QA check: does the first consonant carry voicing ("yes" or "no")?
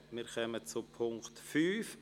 yes